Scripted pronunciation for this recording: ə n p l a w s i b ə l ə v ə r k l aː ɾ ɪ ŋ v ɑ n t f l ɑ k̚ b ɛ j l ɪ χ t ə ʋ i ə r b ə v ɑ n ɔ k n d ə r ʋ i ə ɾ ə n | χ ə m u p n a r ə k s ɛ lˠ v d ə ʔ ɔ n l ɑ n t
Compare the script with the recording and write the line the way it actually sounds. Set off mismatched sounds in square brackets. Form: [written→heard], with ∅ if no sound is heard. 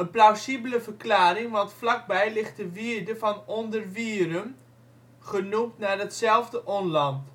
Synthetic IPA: ə n p l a w s i b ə l ə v ə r k l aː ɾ ɪ ŋ [v→ʋ] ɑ n t f l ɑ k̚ b ɛ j l ɪ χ t ə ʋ i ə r [b→d] ə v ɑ n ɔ [k→∅] n d ə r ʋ i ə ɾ ə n | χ ə [m→n] u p n a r ə [k→t] s ɛ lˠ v d ə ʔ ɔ n l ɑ n t